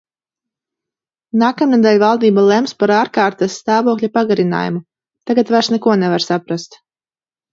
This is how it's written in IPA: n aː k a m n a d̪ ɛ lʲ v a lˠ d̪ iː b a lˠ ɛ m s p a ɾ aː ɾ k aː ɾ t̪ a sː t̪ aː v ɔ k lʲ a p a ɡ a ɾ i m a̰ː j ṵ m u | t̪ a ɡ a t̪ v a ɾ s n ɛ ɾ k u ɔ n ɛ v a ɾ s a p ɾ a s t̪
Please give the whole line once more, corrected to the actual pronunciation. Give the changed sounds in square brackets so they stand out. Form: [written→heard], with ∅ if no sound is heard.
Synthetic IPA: n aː k a m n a d̪ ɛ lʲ v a lˠ d̪ iː b a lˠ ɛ m s p a ɾ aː ɾ k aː ɾ t̪ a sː t̪ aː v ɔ k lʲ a p a ɡ a ɾ i [m→n] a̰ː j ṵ m u | t̪ a ɡ a t̪ v a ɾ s n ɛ [ɾ→∅] k u ɔ n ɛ v a ɾ s a p ɾ a s t̪